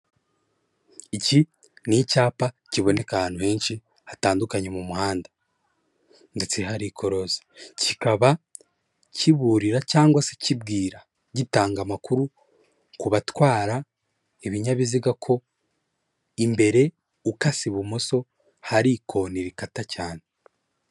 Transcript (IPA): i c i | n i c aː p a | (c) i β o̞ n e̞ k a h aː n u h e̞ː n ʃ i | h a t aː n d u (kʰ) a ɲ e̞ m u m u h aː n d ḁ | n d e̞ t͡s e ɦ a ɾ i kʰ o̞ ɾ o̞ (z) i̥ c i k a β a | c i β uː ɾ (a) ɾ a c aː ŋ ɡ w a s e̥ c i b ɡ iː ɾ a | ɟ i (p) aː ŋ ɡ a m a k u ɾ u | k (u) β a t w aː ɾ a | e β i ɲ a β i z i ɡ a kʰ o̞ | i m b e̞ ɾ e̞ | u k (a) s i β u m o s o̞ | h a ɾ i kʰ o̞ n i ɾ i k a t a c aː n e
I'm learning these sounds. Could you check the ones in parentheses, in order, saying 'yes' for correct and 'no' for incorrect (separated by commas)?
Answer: yes, no, yes, no, no, yes, yes